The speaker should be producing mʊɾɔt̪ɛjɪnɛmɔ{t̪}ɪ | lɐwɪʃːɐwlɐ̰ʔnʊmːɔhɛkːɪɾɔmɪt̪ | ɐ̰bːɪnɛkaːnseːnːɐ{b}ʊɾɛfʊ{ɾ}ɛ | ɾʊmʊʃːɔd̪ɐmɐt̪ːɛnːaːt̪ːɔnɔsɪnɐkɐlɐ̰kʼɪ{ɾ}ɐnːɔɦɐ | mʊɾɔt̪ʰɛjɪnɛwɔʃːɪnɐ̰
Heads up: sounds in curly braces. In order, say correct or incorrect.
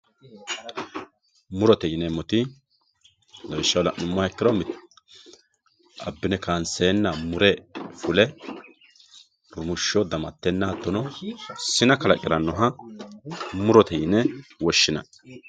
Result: correct, incorrect: m, incorrect: l, correct

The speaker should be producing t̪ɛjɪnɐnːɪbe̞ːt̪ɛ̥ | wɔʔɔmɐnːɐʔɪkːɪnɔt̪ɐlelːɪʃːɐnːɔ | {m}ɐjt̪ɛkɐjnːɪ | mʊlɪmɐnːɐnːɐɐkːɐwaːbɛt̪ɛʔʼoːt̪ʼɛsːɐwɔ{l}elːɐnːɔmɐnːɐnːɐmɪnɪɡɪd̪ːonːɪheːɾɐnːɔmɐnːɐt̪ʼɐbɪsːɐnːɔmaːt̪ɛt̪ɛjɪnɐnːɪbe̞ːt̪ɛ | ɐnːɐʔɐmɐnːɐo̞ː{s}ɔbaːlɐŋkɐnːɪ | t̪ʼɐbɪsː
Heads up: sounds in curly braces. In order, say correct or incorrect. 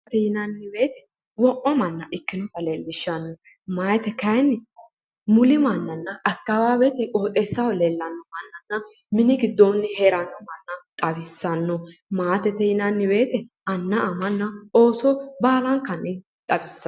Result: correct, correct, correct

